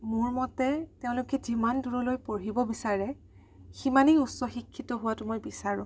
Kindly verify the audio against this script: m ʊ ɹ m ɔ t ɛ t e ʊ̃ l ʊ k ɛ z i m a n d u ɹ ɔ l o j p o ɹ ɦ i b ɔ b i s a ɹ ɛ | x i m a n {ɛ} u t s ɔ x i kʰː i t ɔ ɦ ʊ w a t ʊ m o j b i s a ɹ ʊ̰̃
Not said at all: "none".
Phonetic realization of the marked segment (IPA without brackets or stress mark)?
i